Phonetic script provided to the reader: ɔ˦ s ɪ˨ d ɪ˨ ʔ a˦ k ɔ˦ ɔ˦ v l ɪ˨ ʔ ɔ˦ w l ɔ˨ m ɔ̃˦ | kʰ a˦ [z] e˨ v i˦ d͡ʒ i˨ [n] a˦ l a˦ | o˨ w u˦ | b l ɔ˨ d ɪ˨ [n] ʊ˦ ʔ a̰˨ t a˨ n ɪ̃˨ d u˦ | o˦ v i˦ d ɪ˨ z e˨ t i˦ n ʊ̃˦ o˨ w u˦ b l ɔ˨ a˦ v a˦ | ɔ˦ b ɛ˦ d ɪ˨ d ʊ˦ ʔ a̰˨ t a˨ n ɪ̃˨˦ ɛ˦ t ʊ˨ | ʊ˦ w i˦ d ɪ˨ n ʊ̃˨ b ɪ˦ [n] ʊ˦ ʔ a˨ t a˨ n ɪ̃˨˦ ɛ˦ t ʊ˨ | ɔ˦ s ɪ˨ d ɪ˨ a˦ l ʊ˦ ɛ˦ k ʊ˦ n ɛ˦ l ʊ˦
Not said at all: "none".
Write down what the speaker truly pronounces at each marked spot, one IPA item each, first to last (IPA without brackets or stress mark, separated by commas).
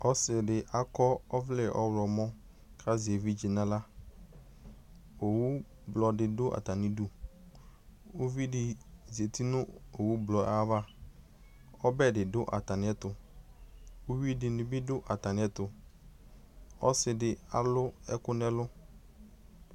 z, n, d, d